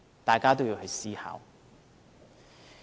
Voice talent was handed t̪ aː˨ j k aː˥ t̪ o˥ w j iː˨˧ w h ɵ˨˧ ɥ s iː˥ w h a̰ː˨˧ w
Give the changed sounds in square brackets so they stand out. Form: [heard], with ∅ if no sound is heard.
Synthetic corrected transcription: t̪ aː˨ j k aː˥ t̪ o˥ w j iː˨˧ w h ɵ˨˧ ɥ s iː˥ [∅] h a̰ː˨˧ w